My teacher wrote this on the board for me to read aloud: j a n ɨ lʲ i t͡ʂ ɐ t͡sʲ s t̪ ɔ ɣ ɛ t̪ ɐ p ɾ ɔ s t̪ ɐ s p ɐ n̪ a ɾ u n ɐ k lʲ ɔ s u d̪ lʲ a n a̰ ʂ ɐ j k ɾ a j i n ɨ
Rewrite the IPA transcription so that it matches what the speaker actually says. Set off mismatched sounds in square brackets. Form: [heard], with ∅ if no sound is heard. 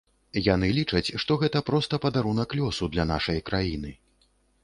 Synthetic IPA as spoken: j a n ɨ lʲ i t͡ʂ ɐ t͡sʲ [ʂ] t̪ ɔ ɣ ɛ t̪ ɐ p ɾ ɔ s t̪ ɐ [∅] p ɐ [d̪] a ɾ u n ɐ k lʲ ɔ s u d̪ lʲ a n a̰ ʂ ɐ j k ɾ a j i n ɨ